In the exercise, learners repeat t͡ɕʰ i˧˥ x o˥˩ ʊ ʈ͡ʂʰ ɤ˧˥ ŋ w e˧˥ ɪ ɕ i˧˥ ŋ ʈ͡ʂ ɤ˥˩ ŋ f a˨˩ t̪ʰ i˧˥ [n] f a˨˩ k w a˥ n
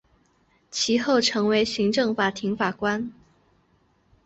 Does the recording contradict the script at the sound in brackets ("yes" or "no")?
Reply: yes